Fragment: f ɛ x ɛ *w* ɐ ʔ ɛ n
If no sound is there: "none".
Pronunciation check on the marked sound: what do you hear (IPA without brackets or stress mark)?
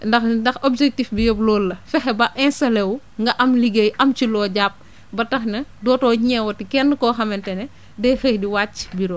b